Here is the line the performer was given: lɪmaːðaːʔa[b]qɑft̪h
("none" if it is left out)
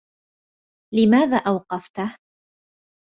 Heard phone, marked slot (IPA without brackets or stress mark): w